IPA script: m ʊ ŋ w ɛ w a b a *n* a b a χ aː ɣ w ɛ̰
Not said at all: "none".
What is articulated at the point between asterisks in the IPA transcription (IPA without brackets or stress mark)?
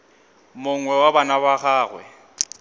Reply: n